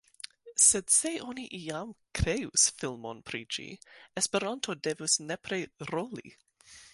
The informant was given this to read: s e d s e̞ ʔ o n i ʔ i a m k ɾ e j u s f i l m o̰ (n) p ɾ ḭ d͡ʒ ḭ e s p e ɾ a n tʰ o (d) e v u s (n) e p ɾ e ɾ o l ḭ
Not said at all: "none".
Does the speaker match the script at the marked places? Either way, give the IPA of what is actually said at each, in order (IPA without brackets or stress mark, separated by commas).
n, d, n